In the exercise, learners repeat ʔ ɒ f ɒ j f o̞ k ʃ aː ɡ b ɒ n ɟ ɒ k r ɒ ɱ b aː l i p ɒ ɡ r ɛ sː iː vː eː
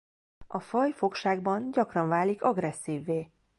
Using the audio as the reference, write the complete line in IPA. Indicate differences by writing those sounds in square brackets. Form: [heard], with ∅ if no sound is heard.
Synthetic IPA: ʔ ɒ f ɒ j f o̞ k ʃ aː ɡ b ɒ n ɟ ɒ k r ɒ ɱ [v] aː l i [k] ɒ ɡ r ɛ sː iː vː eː